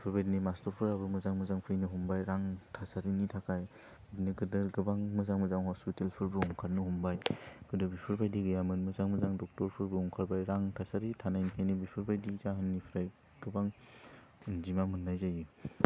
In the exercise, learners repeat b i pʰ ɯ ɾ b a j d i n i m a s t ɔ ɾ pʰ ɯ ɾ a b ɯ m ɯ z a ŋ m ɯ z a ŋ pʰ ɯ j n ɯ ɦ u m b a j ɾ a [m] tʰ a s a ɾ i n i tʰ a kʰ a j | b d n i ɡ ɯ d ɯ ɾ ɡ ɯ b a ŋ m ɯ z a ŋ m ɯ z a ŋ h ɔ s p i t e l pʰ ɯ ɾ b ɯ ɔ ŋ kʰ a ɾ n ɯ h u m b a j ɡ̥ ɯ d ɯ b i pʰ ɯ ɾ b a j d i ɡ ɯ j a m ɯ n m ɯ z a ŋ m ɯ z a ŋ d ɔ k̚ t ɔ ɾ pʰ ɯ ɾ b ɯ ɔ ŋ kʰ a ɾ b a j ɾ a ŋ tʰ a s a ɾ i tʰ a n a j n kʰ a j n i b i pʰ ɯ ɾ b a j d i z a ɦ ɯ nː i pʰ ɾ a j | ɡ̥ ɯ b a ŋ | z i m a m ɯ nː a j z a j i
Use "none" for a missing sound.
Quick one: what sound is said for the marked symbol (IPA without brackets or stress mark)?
ŋ